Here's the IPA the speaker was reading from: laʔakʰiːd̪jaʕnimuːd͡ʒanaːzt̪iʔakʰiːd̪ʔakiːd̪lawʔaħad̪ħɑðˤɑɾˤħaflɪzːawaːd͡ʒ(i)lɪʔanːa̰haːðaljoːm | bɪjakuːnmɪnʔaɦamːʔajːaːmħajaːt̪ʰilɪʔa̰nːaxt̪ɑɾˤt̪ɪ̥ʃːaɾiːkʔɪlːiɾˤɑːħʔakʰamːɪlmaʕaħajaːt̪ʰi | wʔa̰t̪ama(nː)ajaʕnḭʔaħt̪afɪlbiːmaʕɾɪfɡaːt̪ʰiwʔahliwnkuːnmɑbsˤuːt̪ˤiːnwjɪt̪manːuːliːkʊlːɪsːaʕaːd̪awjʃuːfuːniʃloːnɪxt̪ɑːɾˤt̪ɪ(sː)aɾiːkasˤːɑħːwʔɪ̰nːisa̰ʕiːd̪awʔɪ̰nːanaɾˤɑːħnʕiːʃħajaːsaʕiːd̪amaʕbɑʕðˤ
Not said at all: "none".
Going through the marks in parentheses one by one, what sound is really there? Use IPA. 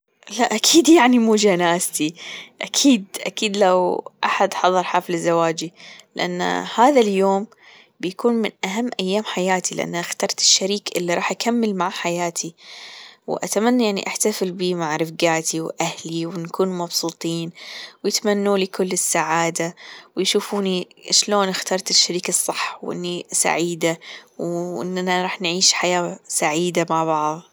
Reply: i, nː, ʃː

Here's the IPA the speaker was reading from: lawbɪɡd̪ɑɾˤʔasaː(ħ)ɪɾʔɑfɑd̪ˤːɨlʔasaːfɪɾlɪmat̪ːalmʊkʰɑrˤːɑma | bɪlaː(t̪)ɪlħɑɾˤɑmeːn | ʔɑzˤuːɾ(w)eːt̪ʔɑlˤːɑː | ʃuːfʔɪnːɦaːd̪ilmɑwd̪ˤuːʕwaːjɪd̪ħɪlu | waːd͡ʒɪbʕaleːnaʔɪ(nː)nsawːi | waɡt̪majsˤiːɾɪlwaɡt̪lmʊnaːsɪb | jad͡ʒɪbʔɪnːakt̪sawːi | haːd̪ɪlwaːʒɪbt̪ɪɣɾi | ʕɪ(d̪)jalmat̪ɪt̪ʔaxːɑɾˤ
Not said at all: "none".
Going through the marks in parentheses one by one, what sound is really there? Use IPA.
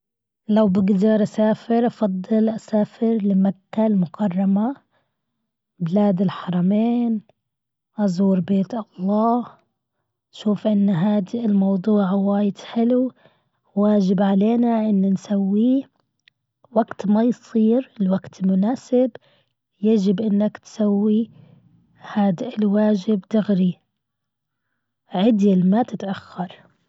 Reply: f, d̪, b, nː, d̪

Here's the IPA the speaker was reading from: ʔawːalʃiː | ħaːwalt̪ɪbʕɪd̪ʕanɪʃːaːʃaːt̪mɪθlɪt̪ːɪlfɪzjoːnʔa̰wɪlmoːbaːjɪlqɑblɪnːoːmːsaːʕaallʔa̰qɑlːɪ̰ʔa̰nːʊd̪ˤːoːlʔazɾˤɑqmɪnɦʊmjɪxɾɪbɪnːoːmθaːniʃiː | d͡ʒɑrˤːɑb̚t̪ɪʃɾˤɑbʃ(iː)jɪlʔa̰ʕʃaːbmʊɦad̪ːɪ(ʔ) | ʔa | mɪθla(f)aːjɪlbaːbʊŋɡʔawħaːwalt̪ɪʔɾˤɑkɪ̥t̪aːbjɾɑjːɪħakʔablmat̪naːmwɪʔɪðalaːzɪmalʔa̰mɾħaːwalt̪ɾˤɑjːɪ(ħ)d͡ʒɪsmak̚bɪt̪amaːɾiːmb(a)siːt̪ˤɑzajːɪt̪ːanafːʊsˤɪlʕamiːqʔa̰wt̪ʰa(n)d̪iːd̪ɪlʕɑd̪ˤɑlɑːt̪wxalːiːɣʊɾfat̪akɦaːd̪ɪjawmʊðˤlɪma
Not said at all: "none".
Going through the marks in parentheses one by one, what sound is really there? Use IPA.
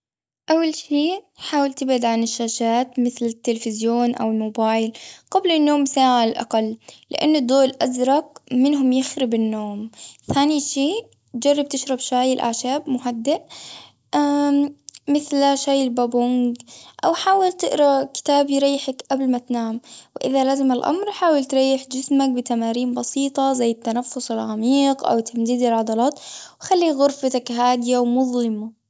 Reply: aː, ʔ, ʃ, ħ, ɑ, m

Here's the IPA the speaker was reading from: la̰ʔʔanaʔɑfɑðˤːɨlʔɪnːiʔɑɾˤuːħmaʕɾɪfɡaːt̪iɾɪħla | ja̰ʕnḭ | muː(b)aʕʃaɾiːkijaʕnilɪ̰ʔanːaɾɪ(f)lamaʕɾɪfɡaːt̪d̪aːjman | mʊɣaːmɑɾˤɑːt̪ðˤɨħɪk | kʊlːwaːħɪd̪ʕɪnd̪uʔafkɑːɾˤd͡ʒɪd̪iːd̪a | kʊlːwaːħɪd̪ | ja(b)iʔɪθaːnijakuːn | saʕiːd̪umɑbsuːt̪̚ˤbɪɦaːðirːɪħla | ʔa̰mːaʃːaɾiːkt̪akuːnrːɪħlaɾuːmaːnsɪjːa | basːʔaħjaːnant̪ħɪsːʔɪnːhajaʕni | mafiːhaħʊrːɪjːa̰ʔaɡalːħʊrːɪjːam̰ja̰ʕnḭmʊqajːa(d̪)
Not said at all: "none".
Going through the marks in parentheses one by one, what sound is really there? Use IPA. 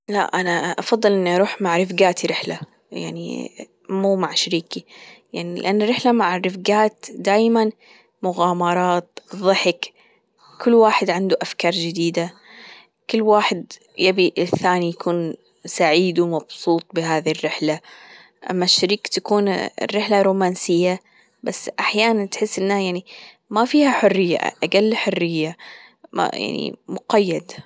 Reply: m, ħ, b, d̪

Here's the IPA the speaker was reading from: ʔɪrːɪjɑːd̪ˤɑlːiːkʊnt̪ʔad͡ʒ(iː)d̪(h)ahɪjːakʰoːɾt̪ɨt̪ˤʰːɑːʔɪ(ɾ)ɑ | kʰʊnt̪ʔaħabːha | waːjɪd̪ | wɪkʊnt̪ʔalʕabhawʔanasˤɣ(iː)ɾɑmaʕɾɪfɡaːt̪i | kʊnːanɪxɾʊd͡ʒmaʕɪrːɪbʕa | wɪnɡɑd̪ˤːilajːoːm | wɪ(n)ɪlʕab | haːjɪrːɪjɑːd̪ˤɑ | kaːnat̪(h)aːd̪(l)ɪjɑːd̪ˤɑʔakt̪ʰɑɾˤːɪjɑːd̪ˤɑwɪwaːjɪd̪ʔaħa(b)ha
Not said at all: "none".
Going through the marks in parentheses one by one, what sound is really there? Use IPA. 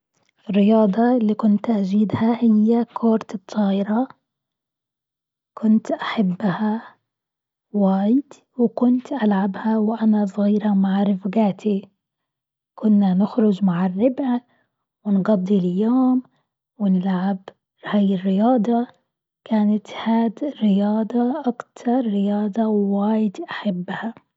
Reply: iː, h, ɾ, iː, n, h, ɾ, bː

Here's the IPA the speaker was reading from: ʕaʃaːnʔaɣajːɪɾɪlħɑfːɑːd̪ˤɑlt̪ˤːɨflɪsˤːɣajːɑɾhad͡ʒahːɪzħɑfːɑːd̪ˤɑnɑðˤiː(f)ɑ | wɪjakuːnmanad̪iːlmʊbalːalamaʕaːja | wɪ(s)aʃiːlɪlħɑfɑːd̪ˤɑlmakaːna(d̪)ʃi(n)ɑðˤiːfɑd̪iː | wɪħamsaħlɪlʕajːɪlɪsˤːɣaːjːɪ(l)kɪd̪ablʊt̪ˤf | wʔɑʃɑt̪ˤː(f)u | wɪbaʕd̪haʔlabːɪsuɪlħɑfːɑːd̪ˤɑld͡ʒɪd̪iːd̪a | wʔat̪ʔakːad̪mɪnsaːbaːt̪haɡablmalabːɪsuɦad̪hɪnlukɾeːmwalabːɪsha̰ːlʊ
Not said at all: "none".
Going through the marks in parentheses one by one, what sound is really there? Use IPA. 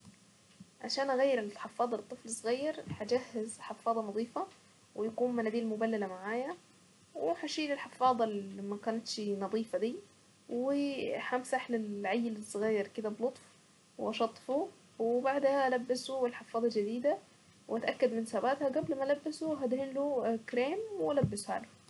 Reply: f, ħ, t̪, n, ɾ, f

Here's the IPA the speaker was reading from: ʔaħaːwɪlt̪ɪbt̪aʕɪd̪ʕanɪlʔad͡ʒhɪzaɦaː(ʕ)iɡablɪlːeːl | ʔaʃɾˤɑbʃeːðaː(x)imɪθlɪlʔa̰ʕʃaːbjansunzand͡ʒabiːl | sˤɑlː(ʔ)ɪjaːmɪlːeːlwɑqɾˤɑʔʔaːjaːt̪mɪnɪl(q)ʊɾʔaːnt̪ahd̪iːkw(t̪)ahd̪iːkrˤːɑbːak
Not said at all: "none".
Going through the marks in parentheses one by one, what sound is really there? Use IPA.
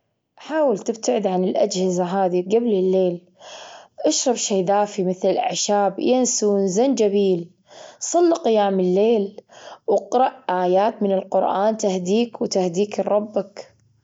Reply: ð, f, q, q, t̪

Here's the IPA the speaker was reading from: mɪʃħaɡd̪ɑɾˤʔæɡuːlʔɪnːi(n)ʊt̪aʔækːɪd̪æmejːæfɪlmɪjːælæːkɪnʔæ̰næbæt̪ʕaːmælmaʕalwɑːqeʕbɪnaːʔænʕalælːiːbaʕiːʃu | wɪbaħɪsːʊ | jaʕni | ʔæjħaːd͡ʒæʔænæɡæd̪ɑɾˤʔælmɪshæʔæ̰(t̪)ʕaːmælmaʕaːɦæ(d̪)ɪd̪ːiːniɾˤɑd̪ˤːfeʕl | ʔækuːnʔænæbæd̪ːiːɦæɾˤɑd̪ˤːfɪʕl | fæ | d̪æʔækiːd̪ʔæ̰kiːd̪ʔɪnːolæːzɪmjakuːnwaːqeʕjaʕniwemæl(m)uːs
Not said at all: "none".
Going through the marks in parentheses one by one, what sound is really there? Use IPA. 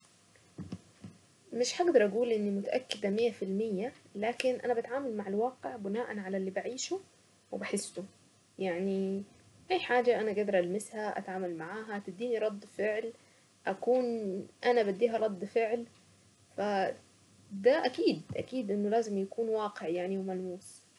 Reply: m, t̪, t̪, m

